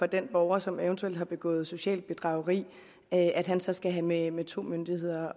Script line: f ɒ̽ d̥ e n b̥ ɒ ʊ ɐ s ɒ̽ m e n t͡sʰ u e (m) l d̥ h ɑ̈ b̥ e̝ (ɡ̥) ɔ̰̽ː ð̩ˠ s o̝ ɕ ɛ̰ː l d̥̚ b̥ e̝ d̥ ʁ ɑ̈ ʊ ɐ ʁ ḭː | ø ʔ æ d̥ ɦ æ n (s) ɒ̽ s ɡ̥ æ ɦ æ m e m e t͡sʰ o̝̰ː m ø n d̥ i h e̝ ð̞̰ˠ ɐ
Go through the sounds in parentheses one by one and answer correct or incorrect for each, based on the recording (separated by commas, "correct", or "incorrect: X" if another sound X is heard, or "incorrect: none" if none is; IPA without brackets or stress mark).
incorrect: none, correct, correct